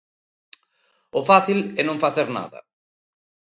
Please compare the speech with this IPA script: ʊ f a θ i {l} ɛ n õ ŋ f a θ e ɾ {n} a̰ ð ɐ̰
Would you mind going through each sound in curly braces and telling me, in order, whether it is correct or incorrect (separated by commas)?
correct, correct